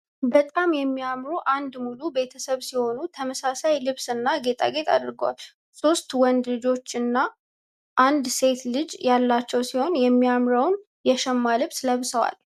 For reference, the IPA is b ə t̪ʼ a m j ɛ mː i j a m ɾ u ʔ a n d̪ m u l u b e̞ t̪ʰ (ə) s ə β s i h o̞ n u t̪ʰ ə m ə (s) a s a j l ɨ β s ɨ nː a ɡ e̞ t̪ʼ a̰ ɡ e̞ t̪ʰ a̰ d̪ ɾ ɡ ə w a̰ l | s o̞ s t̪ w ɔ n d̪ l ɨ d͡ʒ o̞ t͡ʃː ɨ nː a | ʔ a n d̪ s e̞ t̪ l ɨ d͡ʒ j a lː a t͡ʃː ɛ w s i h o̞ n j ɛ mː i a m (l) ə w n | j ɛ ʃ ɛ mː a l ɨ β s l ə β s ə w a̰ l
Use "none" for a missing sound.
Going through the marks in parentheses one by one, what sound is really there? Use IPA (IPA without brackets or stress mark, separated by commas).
ə, s, ɾ